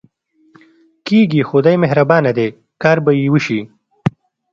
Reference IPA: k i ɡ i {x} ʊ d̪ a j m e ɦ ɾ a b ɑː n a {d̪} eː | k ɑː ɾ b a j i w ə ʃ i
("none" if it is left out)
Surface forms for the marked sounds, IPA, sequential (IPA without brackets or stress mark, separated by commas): x, d̪